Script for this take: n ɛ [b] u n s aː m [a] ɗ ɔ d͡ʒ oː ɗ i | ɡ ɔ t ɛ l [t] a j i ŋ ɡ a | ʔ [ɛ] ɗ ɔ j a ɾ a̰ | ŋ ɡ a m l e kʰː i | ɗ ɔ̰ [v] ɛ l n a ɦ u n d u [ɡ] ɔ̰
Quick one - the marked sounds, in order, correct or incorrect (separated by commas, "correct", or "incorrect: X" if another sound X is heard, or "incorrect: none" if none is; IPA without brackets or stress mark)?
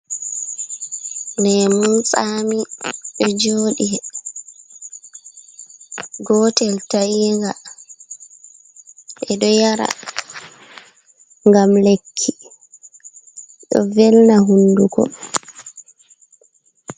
incorrect: m, incorrect: i, correct, correct, correct, incorrect: k